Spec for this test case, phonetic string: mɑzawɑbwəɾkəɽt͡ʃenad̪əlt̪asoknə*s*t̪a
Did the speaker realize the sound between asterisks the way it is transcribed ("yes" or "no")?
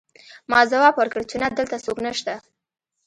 no